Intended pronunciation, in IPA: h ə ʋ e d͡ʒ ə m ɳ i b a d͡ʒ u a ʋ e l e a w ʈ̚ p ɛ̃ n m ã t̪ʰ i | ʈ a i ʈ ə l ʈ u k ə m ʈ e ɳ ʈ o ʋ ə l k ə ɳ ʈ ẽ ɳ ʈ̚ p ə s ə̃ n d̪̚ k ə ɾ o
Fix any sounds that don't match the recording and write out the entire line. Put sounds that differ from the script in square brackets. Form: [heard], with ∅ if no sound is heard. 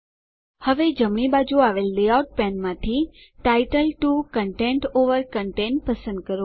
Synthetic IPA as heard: h ə ʋ e d͡ʒ ə m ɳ i b a d͡ʒ u a ʋ e [lː] e a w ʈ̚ p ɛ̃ n m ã t̪ʰ i | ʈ a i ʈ ə l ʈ u k ə [ɳ] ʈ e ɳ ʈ o ʋ ə [ɾ] k ə ɳ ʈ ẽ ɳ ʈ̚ p ə s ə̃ n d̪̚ k ə ɾ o